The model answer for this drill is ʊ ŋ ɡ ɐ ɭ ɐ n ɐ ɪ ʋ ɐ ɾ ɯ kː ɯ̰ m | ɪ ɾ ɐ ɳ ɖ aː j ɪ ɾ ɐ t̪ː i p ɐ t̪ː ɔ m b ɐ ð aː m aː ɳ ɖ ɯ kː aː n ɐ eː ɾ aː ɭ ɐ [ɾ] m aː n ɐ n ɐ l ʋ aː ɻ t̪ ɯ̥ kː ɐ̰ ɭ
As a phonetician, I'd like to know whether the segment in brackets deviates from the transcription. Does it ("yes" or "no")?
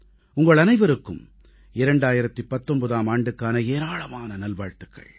yes